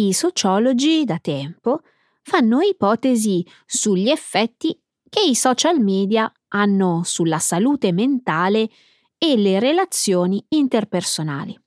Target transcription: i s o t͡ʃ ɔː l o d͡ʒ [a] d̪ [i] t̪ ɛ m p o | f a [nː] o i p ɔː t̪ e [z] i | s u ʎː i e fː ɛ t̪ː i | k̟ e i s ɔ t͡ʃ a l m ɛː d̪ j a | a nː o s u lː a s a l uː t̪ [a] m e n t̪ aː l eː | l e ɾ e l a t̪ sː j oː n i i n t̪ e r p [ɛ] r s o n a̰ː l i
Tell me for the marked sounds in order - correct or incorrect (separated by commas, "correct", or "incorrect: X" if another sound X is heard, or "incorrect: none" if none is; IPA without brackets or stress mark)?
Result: incorrect: i, incorrect: a, correct, correct, incorrect: e, incorrect: e